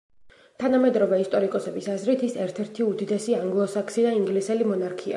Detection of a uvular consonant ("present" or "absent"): absent